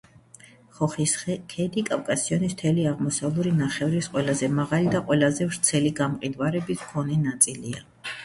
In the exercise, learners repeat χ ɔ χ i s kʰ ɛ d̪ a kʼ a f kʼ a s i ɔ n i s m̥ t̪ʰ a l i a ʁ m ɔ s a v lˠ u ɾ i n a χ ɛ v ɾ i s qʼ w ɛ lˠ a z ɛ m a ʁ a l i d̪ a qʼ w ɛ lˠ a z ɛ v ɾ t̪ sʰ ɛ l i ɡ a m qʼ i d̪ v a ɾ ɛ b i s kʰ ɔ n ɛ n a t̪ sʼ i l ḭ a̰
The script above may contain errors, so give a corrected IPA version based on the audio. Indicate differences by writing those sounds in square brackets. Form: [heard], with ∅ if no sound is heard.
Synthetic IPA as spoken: χ ɔ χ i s kʰ ɛ d̪ [i] kʼ a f kʼ a s i ɔ n i s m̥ t̪ʰ [ɛ] l i a ʁ m ɔ s a v lˠ u ɾ i n a χ ɛ v ɾ i s qʼ w ɛ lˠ a z ɛ m a ʁ a l i d̪ a qʼ w ɛ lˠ a z ɛ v ɾ t̪ sʰ ɛ l i ɡ a m qʼ i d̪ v a ɾ ɛ b i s kʰ ɔ n ɛ n a t̪ sʼ i l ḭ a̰